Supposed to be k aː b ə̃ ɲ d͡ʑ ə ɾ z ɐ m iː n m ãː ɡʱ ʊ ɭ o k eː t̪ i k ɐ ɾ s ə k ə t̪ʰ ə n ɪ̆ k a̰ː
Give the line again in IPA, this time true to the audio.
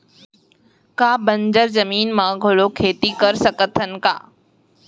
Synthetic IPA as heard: k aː b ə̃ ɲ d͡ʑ ə ɾ z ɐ m iː n m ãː ɡʱ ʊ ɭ o kʰ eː t̪ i k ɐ ɾ s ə k ə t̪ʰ ə n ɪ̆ k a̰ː